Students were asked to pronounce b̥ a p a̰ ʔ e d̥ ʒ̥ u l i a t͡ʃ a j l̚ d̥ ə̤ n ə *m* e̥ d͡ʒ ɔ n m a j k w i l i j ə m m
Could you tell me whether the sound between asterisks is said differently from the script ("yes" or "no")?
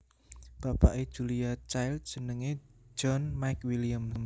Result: yes